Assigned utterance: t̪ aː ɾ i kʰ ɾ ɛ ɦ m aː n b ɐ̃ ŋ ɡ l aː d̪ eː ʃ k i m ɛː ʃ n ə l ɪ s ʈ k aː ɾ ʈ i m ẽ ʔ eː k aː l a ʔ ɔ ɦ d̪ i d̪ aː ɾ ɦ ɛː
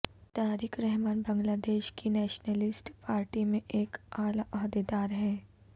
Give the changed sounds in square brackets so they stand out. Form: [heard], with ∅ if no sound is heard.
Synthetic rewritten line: t̪ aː ɾ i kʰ ɾ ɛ ɦ m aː n b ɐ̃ ŋ ɡ l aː d̪ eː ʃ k i [n] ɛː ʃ n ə l ɪ s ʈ [p] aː ɾ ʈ i m ẽ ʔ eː k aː l a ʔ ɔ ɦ d̪ [e] d̪ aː ɾ ɦ ɛː